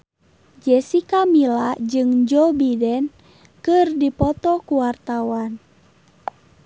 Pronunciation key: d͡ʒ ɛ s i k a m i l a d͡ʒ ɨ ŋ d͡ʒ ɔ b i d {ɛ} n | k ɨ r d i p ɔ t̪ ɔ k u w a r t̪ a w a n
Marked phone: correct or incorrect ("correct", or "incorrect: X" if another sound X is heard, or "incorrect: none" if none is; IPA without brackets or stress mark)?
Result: correct